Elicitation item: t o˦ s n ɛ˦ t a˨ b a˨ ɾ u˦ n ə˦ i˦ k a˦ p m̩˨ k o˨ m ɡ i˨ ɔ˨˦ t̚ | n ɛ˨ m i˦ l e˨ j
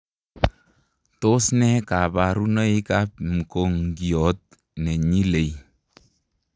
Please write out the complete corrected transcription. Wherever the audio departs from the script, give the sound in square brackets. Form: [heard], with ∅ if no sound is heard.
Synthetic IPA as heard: t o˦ s n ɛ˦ [k] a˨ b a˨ ɾ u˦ n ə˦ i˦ k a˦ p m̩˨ k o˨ [ŋ] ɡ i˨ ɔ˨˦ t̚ | n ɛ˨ [ɲ] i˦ l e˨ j